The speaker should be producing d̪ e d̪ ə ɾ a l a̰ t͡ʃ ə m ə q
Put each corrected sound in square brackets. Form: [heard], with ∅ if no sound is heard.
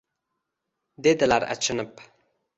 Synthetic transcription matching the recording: d̪ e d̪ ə [l] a [ɾ] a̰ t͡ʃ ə [n] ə [p]